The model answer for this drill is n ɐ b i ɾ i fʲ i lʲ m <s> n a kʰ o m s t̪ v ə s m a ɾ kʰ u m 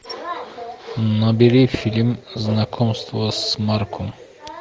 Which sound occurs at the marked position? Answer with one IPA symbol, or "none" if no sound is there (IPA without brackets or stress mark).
z